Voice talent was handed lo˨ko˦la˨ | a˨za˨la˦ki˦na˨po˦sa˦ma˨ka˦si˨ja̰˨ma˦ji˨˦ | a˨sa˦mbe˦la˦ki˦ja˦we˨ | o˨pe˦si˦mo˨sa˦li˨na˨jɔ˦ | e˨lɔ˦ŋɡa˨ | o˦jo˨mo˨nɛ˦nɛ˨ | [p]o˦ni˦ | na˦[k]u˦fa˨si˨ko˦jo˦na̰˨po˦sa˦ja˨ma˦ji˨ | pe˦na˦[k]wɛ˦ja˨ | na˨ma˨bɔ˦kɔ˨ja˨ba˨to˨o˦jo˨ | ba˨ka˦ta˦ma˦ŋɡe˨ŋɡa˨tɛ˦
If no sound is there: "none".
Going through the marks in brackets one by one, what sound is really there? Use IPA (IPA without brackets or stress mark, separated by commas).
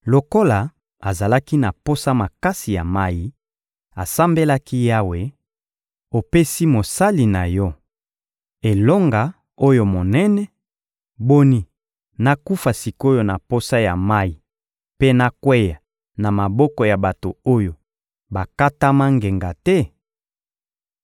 b, k, k